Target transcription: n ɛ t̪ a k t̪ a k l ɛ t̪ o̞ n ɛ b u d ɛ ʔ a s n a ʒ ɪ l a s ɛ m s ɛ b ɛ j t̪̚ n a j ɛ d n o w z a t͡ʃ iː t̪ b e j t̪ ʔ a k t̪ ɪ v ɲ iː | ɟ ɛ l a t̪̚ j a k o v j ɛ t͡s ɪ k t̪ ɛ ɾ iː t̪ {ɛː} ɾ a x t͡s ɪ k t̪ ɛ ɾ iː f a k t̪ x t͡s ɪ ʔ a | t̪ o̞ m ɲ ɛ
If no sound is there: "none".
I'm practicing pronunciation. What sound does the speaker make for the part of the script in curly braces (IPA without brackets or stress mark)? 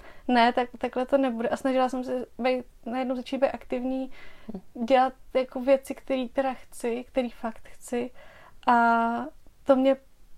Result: ɛ